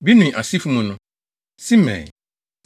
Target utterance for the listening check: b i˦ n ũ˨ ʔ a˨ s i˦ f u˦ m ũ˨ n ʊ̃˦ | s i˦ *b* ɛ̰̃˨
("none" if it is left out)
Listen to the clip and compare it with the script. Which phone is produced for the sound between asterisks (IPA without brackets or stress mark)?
m